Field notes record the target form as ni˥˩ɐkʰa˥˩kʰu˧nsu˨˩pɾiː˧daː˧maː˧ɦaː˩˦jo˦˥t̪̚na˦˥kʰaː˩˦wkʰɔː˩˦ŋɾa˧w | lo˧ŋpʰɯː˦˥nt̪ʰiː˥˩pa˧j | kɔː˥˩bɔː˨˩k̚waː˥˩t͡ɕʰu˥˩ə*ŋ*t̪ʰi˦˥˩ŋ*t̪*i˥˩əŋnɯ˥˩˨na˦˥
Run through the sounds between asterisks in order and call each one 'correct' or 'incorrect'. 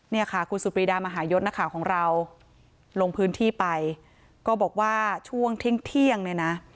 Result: correct, incorrect

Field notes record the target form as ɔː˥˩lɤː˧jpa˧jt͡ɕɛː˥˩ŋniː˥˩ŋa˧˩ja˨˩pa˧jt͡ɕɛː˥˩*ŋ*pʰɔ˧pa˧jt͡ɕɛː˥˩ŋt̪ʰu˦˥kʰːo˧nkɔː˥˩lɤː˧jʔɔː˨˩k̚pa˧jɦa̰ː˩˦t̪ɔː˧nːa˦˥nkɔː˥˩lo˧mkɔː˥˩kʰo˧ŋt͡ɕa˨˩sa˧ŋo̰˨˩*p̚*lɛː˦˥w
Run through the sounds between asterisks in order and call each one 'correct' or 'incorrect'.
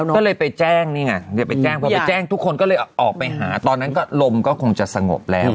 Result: correct, correct

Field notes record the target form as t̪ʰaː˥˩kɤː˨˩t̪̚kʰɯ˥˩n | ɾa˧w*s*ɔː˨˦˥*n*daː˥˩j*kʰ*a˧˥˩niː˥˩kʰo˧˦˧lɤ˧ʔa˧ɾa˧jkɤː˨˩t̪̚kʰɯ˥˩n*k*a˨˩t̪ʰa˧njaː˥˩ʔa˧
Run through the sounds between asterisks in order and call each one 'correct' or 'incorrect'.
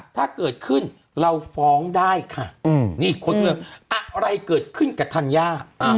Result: incorrect, incorrect, correct, correct

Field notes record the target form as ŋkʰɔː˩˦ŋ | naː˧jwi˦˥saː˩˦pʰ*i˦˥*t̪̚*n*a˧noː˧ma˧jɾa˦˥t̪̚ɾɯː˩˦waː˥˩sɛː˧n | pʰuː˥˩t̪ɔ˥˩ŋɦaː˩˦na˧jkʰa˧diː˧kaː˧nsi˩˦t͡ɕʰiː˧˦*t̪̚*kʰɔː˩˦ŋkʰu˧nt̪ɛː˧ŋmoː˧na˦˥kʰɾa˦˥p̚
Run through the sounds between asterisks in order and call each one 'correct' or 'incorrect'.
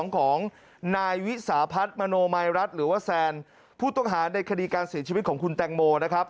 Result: incorrect, incorrect, correct

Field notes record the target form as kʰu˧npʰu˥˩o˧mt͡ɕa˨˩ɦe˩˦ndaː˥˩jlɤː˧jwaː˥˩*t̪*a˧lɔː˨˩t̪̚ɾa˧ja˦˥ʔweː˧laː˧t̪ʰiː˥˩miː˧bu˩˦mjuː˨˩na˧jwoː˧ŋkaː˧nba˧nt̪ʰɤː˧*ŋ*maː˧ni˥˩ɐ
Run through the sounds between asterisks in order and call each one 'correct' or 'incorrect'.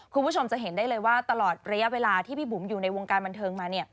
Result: correct, correct

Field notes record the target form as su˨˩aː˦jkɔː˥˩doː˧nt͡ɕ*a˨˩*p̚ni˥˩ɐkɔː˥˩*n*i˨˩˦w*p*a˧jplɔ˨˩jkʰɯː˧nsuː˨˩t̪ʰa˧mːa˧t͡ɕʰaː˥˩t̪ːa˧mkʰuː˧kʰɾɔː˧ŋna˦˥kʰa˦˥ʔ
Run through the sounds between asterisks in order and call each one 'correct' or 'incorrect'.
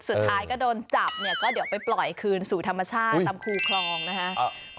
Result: correct, incorrect, correct

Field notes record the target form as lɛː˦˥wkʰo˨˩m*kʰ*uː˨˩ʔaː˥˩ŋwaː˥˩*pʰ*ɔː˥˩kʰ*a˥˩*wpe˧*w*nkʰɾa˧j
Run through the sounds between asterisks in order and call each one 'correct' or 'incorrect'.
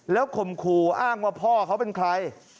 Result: correct, correct, incorrect, incorrect

